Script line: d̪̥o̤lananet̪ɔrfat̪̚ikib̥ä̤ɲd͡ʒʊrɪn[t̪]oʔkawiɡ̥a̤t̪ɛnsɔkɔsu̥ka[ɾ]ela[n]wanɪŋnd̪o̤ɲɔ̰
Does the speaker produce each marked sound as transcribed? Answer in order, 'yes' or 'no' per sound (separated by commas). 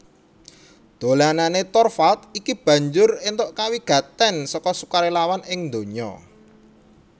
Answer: yes, yes, no